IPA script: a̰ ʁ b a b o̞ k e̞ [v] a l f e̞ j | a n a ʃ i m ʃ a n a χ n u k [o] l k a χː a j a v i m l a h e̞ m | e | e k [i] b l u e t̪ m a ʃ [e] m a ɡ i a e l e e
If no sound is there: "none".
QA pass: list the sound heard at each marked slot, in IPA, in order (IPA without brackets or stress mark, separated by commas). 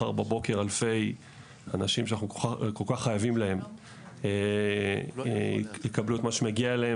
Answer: ʁ, o, a, e